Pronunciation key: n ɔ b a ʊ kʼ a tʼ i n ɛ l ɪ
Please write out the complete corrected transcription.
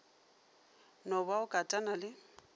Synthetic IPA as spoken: n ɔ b a ʊ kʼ a tʼ a n a l ɪ